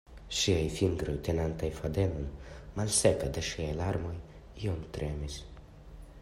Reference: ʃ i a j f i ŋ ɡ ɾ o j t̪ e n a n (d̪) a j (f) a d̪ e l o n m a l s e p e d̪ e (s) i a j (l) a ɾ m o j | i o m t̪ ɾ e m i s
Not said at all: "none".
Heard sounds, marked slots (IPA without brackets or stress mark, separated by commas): t̪, f, ʃ, l